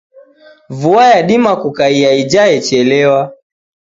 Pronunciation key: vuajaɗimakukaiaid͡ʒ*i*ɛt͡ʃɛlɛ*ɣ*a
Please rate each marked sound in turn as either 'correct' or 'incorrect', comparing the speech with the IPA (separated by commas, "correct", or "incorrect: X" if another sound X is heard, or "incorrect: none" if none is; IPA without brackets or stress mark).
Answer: incorrect: a, incorrect: w